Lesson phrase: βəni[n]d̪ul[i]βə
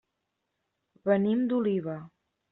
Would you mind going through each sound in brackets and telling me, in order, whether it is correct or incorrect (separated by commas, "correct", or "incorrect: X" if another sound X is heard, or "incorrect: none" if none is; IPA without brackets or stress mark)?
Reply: incorrect: m, correct